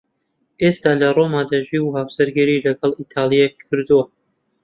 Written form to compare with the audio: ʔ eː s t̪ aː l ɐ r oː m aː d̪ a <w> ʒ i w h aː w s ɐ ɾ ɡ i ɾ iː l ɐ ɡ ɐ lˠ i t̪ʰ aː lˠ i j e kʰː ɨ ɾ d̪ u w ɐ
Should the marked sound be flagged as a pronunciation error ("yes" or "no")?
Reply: yes